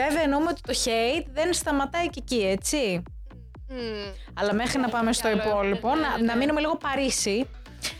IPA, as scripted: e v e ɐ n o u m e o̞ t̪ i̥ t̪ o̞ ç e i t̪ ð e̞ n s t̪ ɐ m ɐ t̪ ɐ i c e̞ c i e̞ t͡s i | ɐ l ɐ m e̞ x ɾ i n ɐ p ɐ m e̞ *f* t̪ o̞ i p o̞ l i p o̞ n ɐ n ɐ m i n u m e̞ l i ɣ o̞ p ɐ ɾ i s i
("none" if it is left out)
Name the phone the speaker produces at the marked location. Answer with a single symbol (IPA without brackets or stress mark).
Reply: s